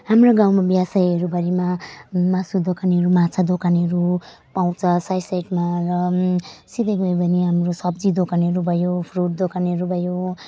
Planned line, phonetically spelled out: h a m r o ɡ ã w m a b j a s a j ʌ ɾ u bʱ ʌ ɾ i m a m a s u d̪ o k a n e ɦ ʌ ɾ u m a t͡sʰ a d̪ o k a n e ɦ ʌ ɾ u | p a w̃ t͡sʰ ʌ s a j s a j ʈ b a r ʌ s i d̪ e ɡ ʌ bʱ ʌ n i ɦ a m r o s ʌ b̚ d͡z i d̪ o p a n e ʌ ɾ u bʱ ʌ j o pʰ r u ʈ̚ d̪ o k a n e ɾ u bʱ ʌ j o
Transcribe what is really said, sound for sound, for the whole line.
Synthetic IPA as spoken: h a m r o ɡ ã w m a b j a s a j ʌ ɾ u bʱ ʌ ɾ i m a m a s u d̪ o k a n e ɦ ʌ ɾ u m a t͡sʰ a d̪ o k a n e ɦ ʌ ɾ u | p a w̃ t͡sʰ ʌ s a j s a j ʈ m a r ʌ s i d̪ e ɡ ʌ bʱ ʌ n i ɦ a m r o s ʌ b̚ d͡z i d̪ o k a n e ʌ ɾ u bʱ ʌ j o pʰ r u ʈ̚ d̪ o k a n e ɾ u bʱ ʌ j o

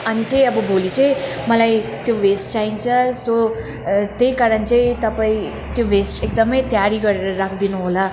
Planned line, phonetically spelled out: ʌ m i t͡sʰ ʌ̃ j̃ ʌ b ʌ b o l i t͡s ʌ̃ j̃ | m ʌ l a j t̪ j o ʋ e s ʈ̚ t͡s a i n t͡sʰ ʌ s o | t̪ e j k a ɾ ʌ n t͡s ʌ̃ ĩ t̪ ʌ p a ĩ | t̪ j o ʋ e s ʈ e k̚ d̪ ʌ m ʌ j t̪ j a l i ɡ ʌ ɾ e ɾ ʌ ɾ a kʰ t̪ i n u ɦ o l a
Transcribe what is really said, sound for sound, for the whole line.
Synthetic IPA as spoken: ʌ n i t͡s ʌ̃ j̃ ʌ b ʌ b o l i t͡s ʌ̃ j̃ | m ʌ l a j t̪ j o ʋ e s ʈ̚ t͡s a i n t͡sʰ ʌ s o | t̪ e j k a ɾ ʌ n t͡s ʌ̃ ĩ t̪ ʌ p a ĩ | t̪ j o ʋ e s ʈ e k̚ d̪ ʌ m ʌ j t̪ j a ɾ i ɡ ʌ ɾ e ɾ ʌ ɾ a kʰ d̪ i n u ɦ o l a

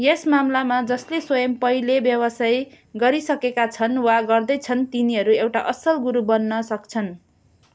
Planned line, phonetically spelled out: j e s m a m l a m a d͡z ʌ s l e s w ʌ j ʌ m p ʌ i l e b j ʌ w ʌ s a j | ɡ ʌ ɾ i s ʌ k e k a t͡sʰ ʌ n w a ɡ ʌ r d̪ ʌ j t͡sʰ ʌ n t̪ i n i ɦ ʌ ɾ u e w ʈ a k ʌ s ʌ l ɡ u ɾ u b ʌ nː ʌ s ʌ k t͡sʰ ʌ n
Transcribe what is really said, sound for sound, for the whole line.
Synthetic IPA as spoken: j e s m a m l a m a d͡z ʌ s l e s w ʌ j ʌ m p ʌ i l e b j ʌ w ʌ s a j | ɡ ʌ ɾ i s ʌ k e k a t͡sʰ ʌ n w a ɡ ʌ r d̪ ʌ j t͡sʰ ʌ n t̪ i n i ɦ ʌ ɾ u e w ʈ a ʔ ʌ s ʌ l ɡ u ɾ u b ʌ nː ʌ s ʌ k t͡sʰ ʌ n

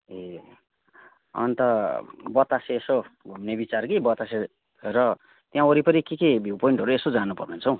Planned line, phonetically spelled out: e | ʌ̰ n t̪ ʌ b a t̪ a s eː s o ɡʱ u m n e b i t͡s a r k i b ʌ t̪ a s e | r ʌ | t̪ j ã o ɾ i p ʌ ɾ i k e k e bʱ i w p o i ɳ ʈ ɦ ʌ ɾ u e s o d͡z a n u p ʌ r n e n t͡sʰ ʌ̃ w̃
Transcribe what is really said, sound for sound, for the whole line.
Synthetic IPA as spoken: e | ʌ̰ n t̪ ʌ b ʌ t̪ a s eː s o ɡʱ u m n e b i t͡s a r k i b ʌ t̪ a s e | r ʌ | t̪ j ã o ɾ i p ʌ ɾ i k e k e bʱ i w p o i ɳ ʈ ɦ ʌ ɾ u e s o d͡z a n u p ʌ r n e n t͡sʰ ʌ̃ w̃

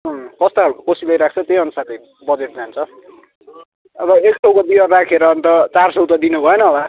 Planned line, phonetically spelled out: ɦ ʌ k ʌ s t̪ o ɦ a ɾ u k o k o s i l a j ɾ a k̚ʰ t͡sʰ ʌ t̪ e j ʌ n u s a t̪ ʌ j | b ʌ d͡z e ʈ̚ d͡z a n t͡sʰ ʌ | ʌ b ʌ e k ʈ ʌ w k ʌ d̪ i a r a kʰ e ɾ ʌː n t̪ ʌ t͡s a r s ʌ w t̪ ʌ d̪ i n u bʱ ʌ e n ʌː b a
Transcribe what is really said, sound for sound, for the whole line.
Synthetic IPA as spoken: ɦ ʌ k ʌ s t̪ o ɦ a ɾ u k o k o s i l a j ɾ a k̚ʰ t͡sʰ ʌ t̪ e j ʌ n u s a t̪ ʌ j | b ʌ d͡z e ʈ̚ d͡z a n t͡sʰ ʌ | ʌ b ʌ e k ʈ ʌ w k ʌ d̪ i ʌ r a kʰ e ɾ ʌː n t̪ ʌ t͡s a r s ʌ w t̪ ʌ d̪ i n u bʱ ʌ e n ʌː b a

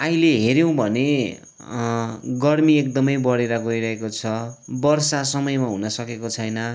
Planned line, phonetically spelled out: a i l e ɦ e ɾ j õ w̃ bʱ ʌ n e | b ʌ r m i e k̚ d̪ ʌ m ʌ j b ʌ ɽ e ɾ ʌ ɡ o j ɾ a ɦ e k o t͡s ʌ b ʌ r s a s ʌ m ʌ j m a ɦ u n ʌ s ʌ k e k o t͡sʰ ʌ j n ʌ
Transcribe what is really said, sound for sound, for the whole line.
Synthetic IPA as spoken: a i l e ɦ e ɾ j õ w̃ bʱ ʌ n e | ɡ ʌ r m i e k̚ d̪ ʌ m ʌ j b ʌ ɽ e ɾ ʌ ɡ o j ɾ ʌ ɦ e k o t͡sʰ ʌ b ʌ r s a s ʌ m ʌ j m a ɦ u n ʌ s ʌ k e k o t͡sʰ ʌ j n ʌ

